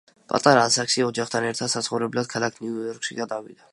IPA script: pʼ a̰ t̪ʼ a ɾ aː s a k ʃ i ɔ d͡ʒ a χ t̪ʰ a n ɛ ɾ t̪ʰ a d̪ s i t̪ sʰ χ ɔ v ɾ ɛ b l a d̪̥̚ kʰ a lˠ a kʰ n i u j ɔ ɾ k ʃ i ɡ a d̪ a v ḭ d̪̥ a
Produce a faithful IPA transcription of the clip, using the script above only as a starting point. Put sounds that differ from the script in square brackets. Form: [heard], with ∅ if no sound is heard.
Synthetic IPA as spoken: pʼ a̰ t̪ʼ a ɾ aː s a k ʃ i ɔ d͡ʒ a χ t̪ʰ a n ɛ ɾ t̪ʰ a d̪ s [a] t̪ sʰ χ ɔ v ɾ ɛ b l a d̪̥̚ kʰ a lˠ a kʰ n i u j ɔ ɾ k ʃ i ɡ a d̪ a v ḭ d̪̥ a